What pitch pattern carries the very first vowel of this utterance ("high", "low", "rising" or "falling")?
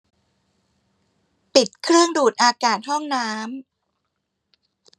low